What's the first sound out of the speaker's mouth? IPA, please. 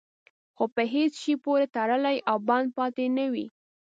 x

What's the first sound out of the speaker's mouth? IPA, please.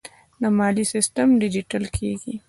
n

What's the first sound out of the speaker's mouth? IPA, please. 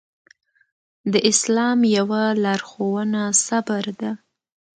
d̪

